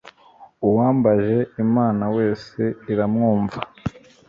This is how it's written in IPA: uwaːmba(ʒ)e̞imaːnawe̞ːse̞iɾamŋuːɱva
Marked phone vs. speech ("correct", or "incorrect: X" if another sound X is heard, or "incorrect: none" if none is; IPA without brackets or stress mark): correct